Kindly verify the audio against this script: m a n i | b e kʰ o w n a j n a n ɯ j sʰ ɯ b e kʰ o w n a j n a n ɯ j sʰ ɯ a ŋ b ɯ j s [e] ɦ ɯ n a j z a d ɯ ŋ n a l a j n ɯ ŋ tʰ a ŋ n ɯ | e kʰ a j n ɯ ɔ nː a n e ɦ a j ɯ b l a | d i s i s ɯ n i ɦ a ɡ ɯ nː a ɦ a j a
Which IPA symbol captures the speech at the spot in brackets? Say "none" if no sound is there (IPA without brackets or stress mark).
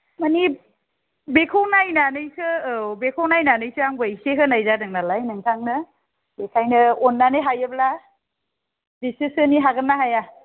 e